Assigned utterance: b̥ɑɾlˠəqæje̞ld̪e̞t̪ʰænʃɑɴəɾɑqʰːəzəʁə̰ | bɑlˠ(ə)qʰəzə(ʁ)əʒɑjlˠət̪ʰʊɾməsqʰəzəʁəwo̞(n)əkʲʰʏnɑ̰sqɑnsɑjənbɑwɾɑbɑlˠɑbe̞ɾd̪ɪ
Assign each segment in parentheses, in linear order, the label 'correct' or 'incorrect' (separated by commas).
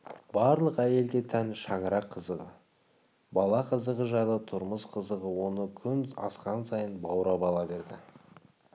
incorrect, correct, correct